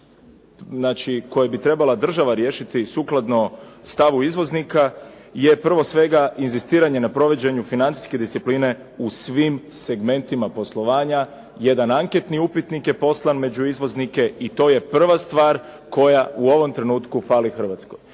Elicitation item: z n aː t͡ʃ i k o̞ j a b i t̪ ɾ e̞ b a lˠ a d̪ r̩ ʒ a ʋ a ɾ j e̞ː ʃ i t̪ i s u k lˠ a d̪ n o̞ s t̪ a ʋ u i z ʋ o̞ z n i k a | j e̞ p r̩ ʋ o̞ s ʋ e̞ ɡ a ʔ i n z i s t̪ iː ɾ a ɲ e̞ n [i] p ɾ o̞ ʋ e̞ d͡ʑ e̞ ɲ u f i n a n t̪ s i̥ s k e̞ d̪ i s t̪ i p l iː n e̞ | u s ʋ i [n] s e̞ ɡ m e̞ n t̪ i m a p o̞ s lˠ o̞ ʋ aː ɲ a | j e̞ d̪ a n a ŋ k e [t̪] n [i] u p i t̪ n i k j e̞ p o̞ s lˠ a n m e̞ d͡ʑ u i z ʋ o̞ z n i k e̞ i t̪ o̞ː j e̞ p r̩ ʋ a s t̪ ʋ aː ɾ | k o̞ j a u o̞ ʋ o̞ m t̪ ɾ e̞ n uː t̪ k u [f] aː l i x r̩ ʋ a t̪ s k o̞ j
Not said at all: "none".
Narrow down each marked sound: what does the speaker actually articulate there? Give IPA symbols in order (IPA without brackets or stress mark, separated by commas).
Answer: a, m, t̪, i, f